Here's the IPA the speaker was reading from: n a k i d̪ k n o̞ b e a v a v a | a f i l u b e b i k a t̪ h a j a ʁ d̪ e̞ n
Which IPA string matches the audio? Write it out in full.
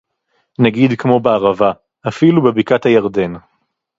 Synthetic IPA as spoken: n a ɡ i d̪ k m o̞ b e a ʁ a v a | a f i l u b e b i k a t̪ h a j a ʁ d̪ e̞ n